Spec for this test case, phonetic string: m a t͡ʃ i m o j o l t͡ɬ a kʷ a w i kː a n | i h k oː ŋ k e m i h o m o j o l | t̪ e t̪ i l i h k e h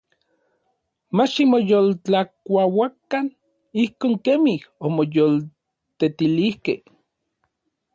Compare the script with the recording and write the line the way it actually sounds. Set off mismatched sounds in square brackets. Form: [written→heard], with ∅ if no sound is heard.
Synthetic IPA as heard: m a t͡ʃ i m o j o l t͡ɬ a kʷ a w [i→a] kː a n | i h k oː ŋ k e m i h o m o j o l | t̪ e t̪ i l i h k e h